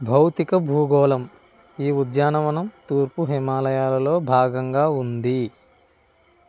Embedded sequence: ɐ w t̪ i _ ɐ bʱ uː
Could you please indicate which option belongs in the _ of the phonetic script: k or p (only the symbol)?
k